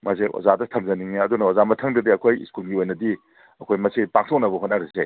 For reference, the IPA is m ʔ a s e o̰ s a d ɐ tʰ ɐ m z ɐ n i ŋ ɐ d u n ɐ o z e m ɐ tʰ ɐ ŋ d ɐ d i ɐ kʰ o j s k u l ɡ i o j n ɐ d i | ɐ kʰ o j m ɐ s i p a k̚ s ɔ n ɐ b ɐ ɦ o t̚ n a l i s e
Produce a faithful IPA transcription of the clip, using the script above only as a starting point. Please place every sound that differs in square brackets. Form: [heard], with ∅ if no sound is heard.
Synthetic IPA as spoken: m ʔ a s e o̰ [z] a d ɐ tʰ ɐ m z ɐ n i ŋ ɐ d u n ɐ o z [a] m ɐ tʰ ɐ ŋ d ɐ d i ɐ kʰ o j s k u l ɡ i o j n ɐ d i | ɐ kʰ o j m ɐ s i p a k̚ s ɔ n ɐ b ɐ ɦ o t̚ n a [ɾ] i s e